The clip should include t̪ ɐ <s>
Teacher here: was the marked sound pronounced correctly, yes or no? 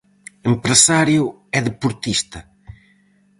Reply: no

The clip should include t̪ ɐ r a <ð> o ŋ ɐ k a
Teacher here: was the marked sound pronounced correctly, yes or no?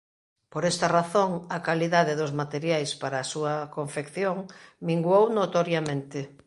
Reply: no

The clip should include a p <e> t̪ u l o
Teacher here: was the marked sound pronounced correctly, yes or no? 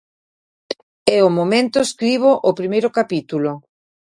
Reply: no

